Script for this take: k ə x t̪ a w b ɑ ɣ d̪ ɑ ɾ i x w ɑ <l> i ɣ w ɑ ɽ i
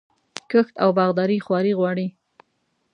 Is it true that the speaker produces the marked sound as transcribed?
no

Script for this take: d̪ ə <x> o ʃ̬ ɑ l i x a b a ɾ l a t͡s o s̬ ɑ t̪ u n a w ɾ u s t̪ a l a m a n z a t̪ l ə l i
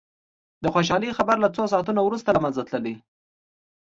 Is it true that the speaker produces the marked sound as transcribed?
yes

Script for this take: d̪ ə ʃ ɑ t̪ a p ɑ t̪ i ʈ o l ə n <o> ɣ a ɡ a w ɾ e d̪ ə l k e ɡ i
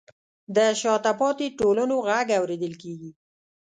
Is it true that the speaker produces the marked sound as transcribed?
yes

